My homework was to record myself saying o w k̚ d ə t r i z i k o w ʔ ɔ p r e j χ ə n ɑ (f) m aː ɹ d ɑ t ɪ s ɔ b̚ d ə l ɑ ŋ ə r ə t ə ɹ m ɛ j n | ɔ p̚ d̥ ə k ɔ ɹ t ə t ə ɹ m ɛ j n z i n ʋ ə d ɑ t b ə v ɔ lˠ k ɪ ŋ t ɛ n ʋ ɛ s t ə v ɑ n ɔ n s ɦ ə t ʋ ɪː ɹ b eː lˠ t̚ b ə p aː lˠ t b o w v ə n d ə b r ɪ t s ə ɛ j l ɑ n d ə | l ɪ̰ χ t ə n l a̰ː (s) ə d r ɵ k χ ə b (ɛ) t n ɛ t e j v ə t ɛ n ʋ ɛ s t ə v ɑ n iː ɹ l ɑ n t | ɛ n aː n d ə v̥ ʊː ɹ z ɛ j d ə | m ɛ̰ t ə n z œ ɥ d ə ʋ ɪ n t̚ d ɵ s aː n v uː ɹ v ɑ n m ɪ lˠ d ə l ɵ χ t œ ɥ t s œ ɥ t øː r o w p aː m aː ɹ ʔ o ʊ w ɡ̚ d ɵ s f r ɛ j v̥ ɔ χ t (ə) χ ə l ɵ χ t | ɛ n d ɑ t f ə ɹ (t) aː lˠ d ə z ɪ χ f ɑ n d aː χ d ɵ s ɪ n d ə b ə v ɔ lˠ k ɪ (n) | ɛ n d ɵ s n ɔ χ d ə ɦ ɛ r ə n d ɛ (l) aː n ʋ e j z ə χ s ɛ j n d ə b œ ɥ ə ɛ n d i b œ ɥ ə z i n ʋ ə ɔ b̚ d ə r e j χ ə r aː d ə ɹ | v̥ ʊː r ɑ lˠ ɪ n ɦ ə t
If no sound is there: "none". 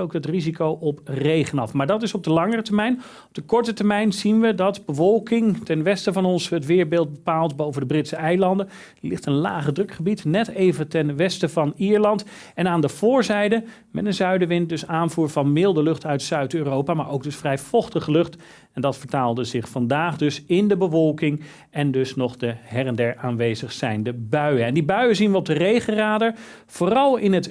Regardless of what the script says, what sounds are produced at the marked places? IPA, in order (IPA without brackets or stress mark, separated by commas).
f, χ, i, ə, t, ŋ, ɹ